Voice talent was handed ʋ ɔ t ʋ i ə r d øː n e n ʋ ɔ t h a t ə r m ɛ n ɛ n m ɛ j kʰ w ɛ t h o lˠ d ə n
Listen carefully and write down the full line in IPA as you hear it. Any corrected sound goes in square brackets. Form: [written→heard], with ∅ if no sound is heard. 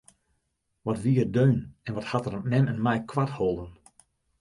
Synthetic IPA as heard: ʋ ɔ t ʋ i ə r d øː n [e→ɛ] n ʋ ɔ t h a t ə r m ɛ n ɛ n m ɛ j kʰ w [ɛ→a] t h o lˠ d ə n